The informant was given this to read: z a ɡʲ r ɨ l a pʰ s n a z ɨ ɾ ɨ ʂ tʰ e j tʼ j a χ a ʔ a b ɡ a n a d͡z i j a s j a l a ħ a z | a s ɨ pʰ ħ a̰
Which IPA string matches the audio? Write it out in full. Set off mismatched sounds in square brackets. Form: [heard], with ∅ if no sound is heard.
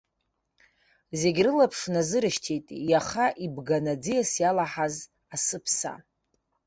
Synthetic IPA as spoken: z [e] ɡʲ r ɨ l a pʰ [ʂ] n a z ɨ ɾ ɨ [ʃ] tʰ e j tʼ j a χ a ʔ [i] b ɡ a n a d͡z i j a s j a l a ħ a z | a s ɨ pʰ [s] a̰

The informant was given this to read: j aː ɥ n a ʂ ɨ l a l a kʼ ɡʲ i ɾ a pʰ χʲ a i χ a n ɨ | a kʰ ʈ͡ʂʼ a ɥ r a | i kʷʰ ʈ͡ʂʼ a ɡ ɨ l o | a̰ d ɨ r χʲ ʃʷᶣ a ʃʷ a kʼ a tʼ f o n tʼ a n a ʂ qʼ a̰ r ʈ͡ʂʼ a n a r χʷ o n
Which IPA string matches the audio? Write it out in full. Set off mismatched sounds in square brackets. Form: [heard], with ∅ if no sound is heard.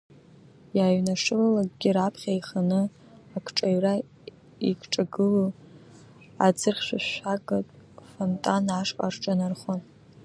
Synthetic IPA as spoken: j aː ɥ n a ʂ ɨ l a l a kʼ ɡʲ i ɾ a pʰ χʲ a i χ a n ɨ | a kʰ ʈ͡ʂʼ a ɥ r a | i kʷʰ ʈ͡ʂʼ a ɡ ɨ l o | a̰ [d͡z] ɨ r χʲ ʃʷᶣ a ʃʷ a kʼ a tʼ f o n tʼ a n a ʂ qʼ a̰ r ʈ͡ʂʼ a n a r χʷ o n

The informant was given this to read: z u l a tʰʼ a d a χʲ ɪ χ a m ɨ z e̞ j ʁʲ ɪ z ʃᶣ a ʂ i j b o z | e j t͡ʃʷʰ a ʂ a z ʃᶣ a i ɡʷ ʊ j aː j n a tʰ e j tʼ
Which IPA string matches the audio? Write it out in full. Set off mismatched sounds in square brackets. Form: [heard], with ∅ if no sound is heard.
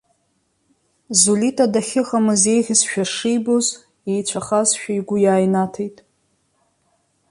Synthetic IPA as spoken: z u l [i] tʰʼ a d a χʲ ɪ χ a m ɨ z e̞ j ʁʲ ɪ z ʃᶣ a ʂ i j b o z | e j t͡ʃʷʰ a [χ] a z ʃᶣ a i ɡʷ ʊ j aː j n a tʰ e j tʼ

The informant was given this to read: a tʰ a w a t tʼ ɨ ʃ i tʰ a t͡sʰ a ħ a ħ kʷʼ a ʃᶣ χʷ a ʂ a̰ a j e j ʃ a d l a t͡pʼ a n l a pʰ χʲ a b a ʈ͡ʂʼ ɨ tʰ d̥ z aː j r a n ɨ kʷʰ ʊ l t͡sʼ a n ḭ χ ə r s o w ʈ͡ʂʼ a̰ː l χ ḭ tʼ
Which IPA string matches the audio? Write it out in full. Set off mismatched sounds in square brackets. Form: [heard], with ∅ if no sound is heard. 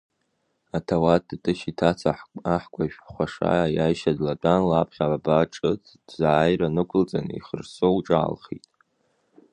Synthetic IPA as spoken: a tʰ a w a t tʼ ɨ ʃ i tʰ a t͡sʰ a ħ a ħ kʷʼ a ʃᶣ χʷ a ʂ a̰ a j [a] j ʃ a d l a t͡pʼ a n l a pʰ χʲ a b a ʈ͡ʂʼ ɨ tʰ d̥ z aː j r a n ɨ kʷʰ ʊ l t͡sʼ a n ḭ χ ə r s o w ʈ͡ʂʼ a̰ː l χ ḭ tʼ

